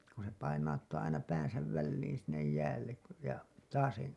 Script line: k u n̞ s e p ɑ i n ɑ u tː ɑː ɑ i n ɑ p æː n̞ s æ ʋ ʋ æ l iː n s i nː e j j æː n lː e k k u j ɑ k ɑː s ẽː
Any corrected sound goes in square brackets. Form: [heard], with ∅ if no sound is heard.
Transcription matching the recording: k u n̞ s e p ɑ i n ɑ u tː ɑː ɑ i n ɑ p æː n̞ s æ ʋ ʋ æ [lː] iː n s i nː e j j æː [∅] lː e k k u j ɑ [t] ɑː s ẽː